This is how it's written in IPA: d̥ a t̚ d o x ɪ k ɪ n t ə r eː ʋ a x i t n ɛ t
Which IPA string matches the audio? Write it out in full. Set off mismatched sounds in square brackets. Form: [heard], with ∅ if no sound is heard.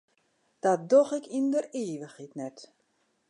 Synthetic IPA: d̥ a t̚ d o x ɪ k [i] n [d] ə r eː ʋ [ə] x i t n ɛ t

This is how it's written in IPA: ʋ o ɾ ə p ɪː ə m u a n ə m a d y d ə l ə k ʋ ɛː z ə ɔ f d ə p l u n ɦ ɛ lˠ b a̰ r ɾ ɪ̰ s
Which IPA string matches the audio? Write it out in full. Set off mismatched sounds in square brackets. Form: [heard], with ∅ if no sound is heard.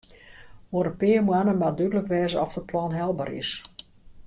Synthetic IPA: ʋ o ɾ ə p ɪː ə m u a n ə m a d y d ə l ə k ʋ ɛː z ə ɔ f d ə p l [ɔ] n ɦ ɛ lˠ b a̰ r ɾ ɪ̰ s

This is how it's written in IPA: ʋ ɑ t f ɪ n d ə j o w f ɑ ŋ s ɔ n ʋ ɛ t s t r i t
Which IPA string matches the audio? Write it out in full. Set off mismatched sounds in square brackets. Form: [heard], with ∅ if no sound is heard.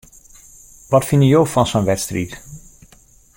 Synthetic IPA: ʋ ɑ t f ɪ n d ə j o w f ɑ [n] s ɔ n ʋ ɛ t s t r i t

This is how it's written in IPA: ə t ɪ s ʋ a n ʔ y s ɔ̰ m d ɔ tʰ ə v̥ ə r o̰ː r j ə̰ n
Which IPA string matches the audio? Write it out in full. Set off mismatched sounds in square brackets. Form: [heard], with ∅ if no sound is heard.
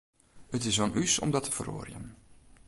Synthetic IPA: ə t ɪ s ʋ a n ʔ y s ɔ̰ m d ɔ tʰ ə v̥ ə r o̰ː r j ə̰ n

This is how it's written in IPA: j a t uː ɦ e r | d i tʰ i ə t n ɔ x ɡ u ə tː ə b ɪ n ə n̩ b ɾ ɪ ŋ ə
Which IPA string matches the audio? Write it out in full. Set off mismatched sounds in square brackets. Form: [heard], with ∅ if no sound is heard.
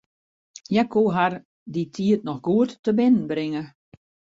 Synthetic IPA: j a [k] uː ɦ [a] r | d i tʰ i ə t n ɔ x ɡ u ə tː ə b ɪ n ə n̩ b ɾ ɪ ŋ ə

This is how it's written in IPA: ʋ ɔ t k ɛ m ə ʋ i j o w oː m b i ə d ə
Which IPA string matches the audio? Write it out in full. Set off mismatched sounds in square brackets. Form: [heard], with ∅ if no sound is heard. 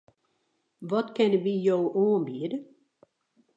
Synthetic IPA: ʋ ɔ t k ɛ [n] ə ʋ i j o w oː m b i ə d ə

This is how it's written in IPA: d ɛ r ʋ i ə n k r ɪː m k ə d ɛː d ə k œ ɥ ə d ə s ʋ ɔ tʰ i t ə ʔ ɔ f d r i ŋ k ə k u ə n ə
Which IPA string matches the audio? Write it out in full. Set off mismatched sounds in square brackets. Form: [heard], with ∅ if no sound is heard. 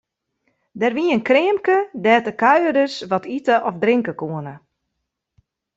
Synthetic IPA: d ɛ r ʋ i ə n k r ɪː m k ə d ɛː [t] ə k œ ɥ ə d ə s ʋ ɔ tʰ i t ə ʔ ɔ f d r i ŋ k ə k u ə n ə

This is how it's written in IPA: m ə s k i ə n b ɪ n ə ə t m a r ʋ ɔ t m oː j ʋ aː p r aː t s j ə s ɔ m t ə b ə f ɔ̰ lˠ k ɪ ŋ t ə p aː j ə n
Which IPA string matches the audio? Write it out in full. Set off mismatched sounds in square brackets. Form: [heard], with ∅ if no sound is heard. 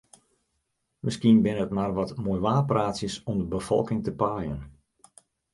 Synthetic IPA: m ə s k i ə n b ɪ n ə ə t m a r ʋ ɔ t m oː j ʋ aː p r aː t s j ə s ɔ m [d] ə b ə f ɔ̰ lˠ k ɪ ŋ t ə p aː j ə n

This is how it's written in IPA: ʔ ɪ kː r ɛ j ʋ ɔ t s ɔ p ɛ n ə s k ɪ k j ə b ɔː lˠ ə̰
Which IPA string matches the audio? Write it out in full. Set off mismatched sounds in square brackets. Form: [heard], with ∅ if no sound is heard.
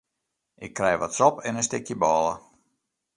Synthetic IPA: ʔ ɪ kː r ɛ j ʋ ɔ t s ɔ p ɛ n ə s [t] ɪ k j ə b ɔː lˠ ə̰

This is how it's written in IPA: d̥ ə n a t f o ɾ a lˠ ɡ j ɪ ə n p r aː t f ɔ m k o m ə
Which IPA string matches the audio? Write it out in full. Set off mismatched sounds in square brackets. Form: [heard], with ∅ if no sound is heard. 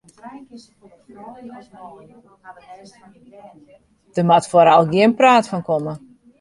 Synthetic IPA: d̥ ə [m] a t f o ɾ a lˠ ɡ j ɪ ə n p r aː t f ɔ [n] k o m ə

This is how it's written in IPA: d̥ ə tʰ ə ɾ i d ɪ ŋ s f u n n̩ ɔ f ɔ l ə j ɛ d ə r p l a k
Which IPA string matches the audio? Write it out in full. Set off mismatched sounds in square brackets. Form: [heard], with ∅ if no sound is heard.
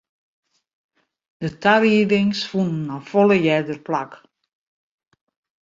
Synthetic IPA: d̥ ə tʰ [a] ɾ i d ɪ ŋ s f u n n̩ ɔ f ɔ l ə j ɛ d ə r p l a k

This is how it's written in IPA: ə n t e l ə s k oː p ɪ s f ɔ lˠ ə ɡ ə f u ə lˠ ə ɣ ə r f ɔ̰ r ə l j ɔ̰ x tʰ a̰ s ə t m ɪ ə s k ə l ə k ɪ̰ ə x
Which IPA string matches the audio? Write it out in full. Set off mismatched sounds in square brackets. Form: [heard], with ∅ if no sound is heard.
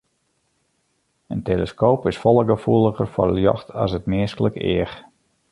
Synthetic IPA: ə n t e l ə s k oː p ɪ s f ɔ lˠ ə ɡ ə f u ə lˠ ə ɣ ə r f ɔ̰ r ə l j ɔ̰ x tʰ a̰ s ə t m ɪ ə s k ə l ə k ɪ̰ ə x

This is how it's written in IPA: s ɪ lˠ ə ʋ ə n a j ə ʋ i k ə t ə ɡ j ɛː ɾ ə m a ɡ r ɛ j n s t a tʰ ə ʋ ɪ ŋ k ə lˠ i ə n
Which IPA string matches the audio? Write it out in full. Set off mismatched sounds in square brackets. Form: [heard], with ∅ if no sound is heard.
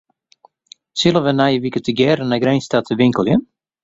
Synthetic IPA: s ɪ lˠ ə ʋ ə n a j ə ʋ i k ə t ə ɡ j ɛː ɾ ə [n] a ɡ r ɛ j n s t a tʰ ə ʋ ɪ ŋ k ə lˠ [j] ə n

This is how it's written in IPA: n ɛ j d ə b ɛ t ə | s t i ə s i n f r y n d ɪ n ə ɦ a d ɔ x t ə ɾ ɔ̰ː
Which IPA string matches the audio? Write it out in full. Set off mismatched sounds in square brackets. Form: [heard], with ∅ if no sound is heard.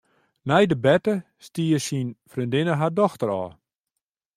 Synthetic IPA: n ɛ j d ə b ɛ t ə | s t i ə s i n f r [i] n d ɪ n ə ɦ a d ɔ x t ə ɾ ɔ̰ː

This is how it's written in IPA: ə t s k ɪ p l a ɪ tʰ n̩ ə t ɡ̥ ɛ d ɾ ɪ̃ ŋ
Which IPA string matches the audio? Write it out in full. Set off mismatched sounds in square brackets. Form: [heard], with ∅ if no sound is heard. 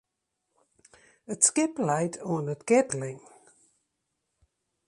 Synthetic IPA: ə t s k ɪ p l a ɪ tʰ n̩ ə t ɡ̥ ɛ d [l] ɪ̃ ŋ

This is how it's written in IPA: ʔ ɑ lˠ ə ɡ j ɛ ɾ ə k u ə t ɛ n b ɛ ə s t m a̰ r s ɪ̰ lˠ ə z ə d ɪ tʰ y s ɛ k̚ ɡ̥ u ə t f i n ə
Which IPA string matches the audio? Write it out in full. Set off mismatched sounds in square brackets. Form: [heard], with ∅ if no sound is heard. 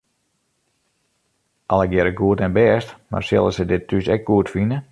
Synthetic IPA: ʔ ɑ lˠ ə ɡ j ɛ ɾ ə [ɡ] u ə t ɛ n b ɛ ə s t m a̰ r s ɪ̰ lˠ ə [s] ə d ɪ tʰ y s ɛ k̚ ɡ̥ u ə t f i n ə

